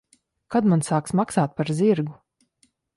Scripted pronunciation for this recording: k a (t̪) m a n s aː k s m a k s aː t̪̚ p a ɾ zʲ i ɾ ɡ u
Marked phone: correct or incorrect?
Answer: incorrect